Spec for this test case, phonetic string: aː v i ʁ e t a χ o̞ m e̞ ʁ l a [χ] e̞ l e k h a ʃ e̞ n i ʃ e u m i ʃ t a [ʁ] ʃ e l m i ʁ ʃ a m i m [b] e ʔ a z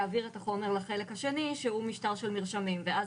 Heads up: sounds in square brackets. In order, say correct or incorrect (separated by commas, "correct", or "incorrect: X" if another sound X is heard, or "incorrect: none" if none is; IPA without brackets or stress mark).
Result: correct, correct, incorrect: v